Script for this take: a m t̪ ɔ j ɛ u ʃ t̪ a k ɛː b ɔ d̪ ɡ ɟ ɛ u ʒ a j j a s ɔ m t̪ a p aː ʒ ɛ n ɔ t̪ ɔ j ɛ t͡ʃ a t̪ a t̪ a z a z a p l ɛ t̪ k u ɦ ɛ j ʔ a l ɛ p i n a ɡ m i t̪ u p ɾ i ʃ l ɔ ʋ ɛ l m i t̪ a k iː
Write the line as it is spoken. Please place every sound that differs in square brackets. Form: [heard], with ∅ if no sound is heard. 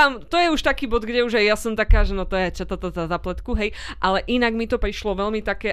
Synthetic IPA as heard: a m t̪ ɔ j ɛ u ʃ t̪ a k [iː] b ɔ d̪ ɡ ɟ ɛ u ʒ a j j a s ɔ m t̪ a [k] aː ʒ ɛ n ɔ t̪ ɔ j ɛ t͡ʃ a t̪ a t̪ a z a z a p l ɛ t̪ k u ɦ ɛ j ʔ a l ɛ [ʔ] i n a ɡ m i t̪ [ɔ] p ɾ i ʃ l ɔ ʋ ɛ l m i t̪ a k [ɛː]